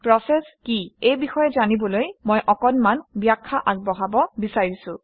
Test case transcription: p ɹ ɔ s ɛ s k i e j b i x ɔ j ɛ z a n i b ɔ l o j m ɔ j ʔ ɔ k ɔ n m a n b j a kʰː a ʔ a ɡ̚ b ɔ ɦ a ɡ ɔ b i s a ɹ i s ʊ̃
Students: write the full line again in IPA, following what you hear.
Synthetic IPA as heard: p ɹ ɔ s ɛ s k i e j b i x ɔ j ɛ z a n i b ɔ l o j m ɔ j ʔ ɔ k ɔ n m a n b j a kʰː a ʔ a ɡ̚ b ɔ ɦ a b ɔ b i s a ɹ i s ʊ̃

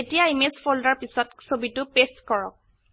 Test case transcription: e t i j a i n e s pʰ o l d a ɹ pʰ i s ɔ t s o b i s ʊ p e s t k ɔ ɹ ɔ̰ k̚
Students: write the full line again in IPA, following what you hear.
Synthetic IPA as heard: e t i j a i m e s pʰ o l d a ɹ p i s ɔ t s o b i t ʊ p e s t k ɔ ɹ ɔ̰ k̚

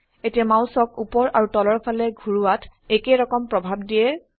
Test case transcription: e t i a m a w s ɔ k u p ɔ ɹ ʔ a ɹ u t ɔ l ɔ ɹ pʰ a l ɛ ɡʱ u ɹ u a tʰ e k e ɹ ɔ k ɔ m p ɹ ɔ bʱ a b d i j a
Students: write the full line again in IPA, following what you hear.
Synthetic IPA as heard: e t i a m a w s ɔ k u p ɔ ɹ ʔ a ɹ u t ɔ l ɔ ɹ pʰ a l ɛ ɡʱ u ɹ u a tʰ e k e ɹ ɔ k ɔ m p ɹ ɔ bʱ a b d i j ɛ

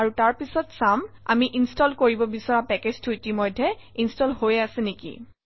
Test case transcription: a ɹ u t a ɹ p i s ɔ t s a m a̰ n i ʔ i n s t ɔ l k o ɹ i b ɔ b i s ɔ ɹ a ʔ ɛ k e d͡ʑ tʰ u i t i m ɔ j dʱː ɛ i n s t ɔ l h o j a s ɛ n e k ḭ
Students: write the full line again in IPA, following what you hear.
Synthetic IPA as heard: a ɹ u t a ɹ p i s ɔ t s a m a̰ m i ʔ i n s t ɔ l k o ɹ i b ɔ b i s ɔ ɹ a p ɛ k e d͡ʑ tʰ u i t i m ɔ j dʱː ɛ i n s t ɔ l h o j a s ɛ n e k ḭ

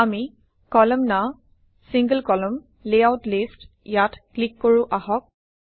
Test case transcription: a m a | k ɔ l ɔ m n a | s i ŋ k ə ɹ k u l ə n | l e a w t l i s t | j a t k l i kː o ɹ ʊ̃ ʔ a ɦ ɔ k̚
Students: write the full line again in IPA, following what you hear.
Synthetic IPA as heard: a m i | k ɔ l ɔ m n a | s i ŋ ɡ ə l k ɔ l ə m | l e a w t l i s t | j a t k l i kː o ɹ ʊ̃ ʔ a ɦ ɔ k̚

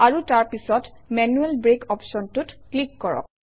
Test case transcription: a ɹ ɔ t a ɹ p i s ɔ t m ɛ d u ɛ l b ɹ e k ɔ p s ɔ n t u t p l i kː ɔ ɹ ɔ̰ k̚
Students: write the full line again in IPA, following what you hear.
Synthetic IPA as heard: a ɹ u t a ɹ p i s ɔ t m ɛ n u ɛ l b ɹ e k ɔ p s ɔ n t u t k l i kː ɔ ɹ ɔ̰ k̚

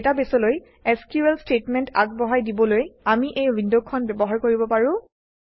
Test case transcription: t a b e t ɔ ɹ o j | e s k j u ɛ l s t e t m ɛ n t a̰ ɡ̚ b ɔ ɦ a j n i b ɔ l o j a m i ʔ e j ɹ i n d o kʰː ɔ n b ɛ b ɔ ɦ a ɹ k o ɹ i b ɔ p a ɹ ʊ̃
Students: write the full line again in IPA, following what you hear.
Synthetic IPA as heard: t a b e s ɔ l o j | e s k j u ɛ l s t e t m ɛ n t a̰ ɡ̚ b ɔ ɦ a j d i b ɔ l o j a m i ʔ e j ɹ i n d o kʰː ɔ n b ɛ b ɔ ɦ a ɹ k o ɹ i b ɔ p a ɹ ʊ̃

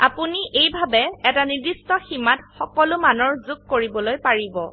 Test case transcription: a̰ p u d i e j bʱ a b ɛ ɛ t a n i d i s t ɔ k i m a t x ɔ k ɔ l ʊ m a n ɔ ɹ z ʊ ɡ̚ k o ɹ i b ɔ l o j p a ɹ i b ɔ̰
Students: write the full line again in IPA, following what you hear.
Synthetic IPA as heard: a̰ p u n i e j bʱ a b ɛ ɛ t a n i d i s t ɔ x i m a t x ɔ k ɔ l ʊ m a n ɔ ɹ z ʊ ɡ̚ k o ɹ i b ɔ l o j p a ɹ i b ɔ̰

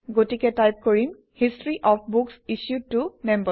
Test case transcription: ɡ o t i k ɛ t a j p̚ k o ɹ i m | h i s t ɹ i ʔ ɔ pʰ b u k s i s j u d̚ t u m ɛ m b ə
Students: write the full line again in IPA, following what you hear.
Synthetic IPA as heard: ɡ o t i k ɛ t a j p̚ k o ɹ i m | h i s t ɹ i ʔ ɔ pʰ b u k s i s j u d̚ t u m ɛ m b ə

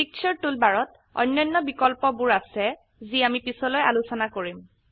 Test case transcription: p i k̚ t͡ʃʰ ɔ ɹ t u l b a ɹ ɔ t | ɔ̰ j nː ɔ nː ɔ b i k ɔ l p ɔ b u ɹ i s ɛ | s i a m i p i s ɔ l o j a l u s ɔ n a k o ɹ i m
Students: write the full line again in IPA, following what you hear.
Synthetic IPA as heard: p i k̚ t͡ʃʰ ɔ ɹ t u l b a ɹ ɔ t | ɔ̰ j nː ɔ nː ɔ b i k ɔ l p ɔ b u ɹ a s ɛ | z i a m i p i s ɔ l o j a l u s ɔ n a k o ɹ i m

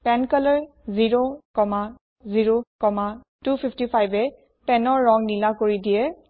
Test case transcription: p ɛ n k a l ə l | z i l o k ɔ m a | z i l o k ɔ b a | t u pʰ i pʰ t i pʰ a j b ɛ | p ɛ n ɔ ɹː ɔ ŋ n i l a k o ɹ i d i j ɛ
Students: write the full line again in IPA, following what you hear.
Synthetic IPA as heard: p ɛ n k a l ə ɹ | z i ɹ o k ɔ m a | z i ɹ o k ɔ m a | t u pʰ i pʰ t i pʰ a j b ɛ | p ɛ n ɔ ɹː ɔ ŋ n i l a k o ɹ i d i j ɛ

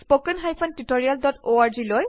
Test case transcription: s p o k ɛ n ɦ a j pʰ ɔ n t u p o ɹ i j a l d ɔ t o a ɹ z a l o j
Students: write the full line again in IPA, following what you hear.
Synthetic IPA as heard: s p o k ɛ n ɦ a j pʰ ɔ n t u t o ɹ i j a l d ɔ t o a ɹ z i l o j

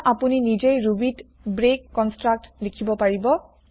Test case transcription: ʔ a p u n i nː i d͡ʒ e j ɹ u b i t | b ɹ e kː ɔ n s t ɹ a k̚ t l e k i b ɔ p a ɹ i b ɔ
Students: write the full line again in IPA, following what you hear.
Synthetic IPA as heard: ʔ a p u n i n i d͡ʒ e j ɹ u b i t | b ɹ e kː ɔ n s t ɹ a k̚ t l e kʰ i b ɔ p a ɹ i b ɔ

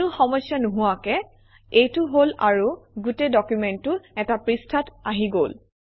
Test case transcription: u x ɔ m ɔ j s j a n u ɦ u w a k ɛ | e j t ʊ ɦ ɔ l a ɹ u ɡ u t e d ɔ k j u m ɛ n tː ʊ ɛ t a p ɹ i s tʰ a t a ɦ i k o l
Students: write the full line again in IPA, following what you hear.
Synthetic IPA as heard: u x ɔ m ɔ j s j a n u ɦ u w a k ɛ | e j t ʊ ɦ o l a ɹ u ɡ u t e d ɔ k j u m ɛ n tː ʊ ɛ t a p ɹ i s tʰ a t a ɦ i ɡ o l

